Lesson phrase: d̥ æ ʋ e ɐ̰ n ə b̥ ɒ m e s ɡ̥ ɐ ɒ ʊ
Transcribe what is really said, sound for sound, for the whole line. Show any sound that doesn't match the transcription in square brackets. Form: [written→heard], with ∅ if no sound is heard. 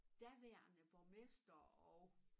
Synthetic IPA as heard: d̥ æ ʋ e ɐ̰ n ə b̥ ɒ m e s [ɡ̥→d̥] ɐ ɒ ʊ